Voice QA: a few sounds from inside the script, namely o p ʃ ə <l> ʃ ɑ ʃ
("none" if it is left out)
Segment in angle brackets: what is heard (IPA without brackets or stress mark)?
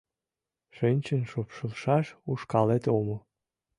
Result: l